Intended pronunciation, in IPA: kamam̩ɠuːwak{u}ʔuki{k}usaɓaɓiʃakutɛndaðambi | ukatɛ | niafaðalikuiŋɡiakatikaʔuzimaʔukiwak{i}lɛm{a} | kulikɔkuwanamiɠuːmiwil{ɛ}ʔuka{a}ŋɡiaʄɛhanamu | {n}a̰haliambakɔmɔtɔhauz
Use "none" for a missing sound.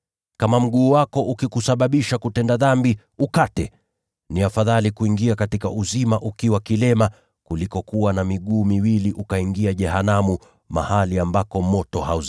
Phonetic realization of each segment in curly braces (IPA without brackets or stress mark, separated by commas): ɔ, k, i, a, i, i, m